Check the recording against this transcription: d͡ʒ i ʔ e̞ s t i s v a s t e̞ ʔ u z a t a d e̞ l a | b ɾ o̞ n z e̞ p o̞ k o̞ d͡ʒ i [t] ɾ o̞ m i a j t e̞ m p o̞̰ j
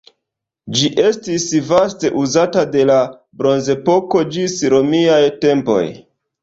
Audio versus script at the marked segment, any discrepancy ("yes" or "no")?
yes